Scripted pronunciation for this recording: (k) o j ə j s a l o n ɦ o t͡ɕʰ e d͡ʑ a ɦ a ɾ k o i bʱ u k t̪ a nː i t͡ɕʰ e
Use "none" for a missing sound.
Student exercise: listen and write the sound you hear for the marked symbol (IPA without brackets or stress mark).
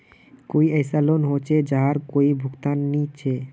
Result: k